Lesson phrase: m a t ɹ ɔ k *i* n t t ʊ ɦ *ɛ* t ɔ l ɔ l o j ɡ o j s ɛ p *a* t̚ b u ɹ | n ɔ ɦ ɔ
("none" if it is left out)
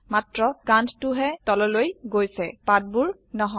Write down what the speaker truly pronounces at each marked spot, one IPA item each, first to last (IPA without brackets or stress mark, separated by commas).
a, ɛ, a